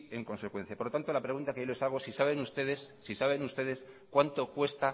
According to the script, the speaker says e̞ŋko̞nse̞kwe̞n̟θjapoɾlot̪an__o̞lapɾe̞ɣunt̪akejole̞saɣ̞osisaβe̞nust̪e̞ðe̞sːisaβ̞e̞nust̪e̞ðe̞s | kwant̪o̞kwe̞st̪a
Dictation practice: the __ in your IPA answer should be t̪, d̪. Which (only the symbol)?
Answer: t̪